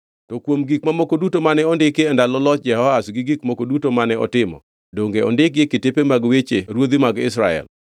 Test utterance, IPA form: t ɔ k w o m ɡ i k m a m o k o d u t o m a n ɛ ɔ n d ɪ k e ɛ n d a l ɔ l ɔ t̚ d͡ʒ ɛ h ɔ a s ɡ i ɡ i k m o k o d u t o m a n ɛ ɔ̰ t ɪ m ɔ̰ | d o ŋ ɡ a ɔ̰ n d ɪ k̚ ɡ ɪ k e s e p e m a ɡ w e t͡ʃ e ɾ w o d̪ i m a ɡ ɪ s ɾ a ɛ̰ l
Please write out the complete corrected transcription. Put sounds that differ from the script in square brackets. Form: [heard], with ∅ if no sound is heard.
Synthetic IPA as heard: t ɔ k w o m ɡ i k m a m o k o d u t o m a n ɛ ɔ n d ɪ k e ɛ n d a l ɔ l ɔ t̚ d͡ʒ ɛ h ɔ a s ɡ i ɡ i k m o k o d u t o m a n ɛ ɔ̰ t ɪ m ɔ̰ | d o ŋ ɡ [e] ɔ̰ n d ɪ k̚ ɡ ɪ k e [t] e p e m a ɡ w e t͡ʃ e ɾ w o d̪ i m a ɡ ɪ s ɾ a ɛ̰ l